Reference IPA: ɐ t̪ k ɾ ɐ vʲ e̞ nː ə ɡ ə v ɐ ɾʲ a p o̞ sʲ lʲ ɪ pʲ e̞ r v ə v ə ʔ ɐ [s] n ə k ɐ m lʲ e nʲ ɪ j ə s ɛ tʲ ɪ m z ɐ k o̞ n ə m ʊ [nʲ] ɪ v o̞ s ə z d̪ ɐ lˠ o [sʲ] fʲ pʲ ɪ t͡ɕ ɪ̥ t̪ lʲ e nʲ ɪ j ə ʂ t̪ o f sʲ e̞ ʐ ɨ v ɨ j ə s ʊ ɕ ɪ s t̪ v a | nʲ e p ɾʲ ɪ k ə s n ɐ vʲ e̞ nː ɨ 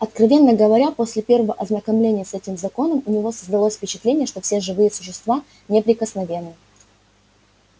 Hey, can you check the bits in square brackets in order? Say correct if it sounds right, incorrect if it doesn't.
incorrect, correct, correct

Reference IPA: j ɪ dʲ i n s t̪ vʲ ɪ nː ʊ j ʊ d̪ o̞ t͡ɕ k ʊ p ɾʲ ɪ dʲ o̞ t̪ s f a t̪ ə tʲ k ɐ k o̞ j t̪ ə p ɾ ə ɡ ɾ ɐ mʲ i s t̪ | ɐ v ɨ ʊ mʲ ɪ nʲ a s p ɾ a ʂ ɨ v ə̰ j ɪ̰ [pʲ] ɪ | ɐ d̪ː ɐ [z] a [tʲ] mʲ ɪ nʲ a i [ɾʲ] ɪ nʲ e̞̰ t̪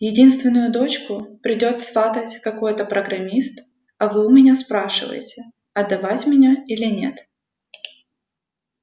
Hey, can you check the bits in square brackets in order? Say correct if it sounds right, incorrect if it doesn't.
incorrect, incorrect, correct, incorrect

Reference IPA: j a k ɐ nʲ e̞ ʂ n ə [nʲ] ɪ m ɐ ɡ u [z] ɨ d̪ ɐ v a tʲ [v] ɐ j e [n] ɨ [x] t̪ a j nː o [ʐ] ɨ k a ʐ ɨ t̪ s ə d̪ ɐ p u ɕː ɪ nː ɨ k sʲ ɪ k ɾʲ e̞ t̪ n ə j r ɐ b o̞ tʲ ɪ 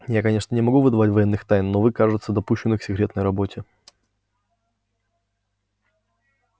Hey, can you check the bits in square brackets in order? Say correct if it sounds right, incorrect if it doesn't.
correct, incorrect, correct, incorrect, correct, incorrect

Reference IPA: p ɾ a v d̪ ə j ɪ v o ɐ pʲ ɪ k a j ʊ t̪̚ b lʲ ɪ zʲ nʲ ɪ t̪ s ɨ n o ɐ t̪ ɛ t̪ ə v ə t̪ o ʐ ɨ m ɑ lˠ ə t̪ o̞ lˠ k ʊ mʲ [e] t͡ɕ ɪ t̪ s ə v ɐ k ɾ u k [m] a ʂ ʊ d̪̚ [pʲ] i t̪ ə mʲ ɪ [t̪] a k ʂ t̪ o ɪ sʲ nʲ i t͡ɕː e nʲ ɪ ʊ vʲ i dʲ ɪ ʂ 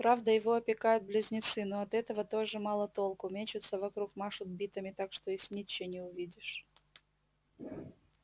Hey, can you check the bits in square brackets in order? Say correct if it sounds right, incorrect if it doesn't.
correct, correct, incorrect, correct

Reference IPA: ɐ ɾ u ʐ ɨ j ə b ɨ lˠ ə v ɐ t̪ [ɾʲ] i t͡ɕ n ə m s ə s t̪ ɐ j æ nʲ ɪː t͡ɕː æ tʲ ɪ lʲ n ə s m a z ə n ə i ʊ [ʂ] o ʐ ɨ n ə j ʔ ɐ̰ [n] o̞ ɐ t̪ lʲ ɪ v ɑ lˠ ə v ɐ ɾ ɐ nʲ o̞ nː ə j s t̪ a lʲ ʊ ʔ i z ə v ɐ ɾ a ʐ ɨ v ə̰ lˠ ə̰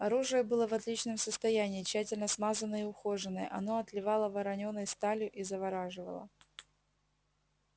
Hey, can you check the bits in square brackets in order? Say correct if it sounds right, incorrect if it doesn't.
incorrect, incorrect, correct

